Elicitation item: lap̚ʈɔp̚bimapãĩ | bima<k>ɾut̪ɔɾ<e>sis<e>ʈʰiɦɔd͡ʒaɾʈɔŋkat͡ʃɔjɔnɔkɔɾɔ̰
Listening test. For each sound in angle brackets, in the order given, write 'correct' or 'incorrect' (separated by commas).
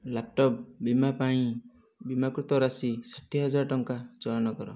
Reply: correct, incorrect, incorrect